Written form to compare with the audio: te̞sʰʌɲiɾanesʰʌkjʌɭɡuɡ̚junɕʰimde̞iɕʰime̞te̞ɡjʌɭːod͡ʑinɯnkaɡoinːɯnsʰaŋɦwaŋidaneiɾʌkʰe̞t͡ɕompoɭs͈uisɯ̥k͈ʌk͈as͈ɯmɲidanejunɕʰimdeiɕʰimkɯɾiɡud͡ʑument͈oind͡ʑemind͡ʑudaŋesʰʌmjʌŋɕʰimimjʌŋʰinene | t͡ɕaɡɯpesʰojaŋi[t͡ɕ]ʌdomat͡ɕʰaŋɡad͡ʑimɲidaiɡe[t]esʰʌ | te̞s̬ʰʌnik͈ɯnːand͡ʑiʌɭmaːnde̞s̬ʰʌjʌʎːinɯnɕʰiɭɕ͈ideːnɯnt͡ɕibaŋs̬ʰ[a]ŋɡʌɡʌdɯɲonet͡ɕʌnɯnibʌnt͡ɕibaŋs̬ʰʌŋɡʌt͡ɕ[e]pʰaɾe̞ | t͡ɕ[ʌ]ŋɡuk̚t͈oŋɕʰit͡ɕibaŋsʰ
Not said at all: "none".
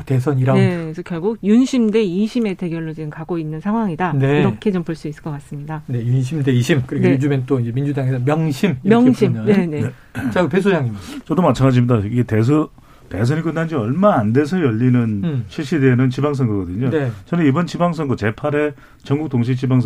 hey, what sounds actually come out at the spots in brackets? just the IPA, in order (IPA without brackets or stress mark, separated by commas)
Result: t͡ɕ, t, ʌ, e, ʌ